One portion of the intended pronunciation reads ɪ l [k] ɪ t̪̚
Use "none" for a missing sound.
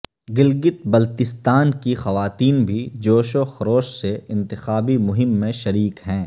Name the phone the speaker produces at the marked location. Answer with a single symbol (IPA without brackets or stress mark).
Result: ɡ